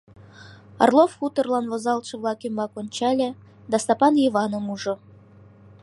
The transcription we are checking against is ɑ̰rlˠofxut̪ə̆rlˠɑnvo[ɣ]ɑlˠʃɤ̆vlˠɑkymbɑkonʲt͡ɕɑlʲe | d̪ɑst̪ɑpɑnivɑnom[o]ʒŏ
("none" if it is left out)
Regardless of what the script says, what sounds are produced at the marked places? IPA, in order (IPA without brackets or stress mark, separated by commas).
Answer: z, u